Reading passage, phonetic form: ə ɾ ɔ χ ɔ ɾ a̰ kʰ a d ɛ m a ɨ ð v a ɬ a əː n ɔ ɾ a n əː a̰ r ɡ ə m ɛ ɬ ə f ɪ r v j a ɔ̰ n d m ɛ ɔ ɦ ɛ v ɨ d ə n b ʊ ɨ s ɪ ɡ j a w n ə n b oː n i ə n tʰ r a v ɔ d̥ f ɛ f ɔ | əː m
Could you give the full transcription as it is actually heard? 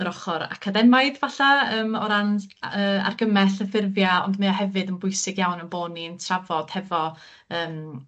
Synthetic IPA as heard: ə ɾ ɔ χ ɔ ɾ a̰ kʰ a d ɛ m a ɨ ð v a ɬ a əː m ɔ ɾ a n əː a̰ r ɡ ə m ɛ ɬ ə f ɪ r v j a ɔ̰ n d m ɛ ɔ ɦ ɛ v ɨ d ə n b ʊ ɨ s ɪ ɡ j a w n ə n b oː n i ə n tʰ r a v ɔ d̥ h ɛ v ɔ | əː m